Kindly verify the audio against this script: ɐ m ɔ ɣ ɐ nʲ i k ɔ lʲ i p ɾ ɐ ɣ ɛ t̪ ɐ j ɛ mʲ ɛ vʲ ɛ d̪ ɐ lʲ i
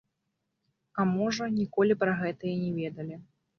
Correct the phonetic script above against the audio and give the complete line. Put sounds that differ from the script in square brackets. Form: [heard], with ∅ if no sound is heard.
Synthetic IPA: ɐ m ɔ [ʐ] ɐ nʲ i k ɔ lʲ i p ɾ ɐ ɣ ɛ t̪ ɐ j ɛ [nʲ] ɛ vʲ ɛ d̪ ɐ lʲ i